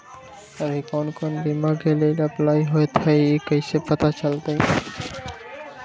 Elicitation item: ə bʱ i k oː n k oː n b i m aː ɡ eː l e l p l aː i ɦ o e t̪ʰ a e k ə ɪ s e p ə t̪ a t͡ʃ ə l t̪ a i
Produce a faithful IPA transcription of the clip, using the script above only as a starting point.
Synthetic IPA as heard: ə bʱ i k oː n k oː n b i m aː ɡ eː l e l p l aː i ɦ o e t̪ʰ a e k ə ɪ s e p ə t̪ a t͡ʃ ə l t̪ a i

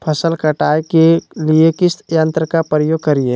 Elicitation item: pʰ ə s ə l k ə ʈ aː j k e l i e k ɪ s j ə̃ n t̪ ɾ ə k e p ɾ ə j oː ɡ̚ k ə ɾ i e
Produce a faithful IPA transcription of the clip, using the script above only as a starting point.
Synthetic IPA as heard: pʰ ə s ə l k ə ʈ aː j k e l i e k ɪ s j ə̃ n t̪ ɾ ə k a p ɾ ə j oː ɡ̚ k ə ɾ i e

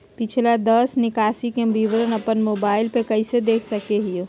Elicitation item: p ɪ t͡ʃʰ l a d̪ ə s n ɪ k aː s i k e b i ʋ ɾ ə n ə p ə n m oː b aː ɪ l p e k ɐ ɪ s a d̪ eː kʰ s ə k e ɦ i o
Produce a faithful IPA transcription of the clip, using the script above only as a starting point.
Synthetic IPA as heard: p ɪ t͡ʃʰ l a d̪ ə s n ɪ k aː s i k e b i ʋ ɾ ə n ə p ə n m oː b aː ɪ l p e k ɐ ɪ s e d̪ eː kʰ s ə k e ɦ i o

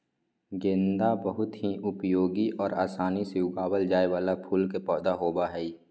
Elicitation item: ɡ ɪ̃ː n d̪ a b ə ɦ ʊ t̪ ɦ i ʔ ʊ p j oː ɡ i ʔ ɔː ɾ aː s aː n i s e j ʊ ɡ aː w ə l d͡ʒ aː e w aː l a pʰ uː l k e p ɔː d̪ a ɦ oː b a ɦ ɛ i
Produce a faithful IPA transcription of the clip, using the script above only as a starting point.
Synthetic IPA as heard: ɡ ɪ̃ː n d̪ a b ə ɦ ʊ t̪ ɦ i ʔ ʊ p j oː ɡ i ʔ ɔː ɾ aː s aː n i s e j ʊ ɡ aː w ə l d͡ʒ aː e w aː l a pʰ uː l k e p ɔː d̪ a ɦ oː b a ɦ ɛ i

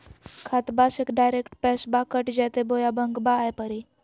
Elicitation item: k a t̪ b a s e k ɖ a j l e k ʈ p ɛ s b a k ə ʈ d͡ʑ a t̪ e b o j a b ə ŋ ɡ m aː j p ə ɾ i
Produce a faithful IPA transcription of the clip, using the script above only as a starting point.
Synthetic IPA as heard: kʰ a t̪ b a s e k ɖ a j ɾ e k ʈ p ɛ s b a k ə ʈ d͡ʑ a t̪ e b o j a b ə ŋ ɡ b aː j p ə ɾ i

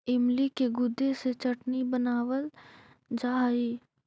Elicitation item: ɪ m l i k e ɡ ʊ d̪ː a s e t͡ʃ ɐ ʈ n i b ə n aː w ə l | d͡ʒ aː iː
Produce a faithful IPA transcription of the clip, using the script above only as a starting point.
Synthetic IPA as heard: ɪ m l i k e ɡ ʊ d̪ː e s e t͡ʃ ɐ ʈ n i b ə n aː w ə l | d͡ʒ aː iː

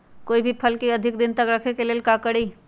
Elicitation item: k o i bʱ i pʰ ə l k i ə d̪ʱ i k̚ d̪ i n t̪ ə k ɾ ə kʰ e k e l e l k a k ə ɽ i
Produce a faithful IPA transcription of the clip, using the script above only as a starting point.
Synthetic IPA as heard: k o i bʱ i pʰ ə l k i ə d̪ʱ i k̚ d̪ i n t̪ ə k ɾ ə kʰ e k e l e l k a k ə ɽ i

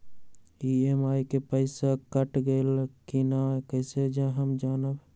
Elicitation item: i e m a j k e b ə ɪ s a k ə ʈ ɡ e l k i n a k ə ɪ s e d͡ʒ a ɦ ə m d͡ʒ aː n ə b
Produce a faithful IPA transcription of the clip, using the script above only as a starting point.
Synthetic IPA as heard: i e m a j k e p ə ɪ s a k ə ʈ ɡ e l k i n a k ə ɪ s e d͡ʒ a ɦ ə m d͡ʒ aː n ə b

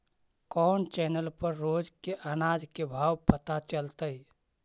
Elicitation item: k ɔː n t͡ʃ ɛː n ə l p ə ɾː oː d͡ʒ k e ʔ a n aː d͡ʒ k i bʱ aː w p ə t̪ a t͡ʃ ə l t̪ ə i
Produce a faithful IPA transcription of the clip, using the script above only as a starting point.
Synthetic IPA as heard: k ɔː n t͡ʃ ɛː n ə l p ə ɾː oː d͡ʒ k e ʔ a n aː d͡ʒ k e bʱ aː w p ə t̪ a t͡ʃ ə l t̪ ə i

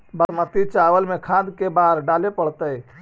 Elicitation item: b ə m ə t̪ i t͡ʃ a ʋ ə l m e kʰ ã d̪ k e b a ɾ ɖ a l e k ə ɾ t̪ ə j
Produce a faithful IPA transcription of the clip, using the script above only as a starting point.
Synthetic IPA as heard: b ə m ə t̪ i t͡ʃ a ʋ ə l m e kʰ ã d̪ k e b a ɾ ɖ a l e p ə ɽ t̪ ə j

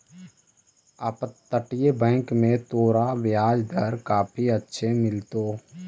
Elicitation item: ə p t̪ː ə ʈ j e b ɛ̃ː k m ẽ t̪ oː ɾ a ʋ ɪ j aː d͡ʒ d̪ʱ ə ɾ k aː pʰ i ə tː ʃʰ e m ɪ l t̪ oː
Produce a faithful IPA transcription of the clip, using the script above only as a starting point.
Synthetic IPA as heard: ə p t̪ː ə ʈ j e b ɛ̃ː k m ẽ t̪ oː ɾ a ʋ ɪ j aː d͡ʒ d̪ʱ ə ɾ k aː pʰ i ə tː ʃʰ e m ɪ l t̪ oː

